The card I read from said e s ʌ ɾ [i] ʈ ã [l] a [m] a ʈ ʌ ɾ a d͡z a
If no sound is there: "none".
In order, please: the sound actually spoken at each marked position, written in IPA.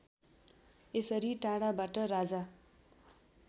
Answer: i, ɽ, b

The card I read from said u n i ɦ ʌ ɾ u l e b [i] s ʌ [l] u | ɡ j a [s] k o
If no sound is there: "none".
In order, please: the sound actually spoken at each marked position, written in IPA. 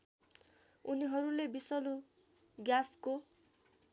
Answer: i, l, s

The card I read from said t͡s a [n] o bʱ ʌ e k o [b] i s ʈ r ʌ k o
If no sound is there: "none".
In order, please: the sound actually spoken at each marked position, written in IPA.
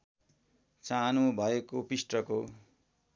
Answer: n, p

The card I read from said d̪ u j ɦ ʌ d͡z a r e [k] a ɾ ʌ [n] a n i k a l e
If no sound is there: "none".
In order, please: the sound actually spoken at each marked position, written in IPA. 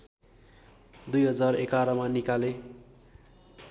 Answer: k, m

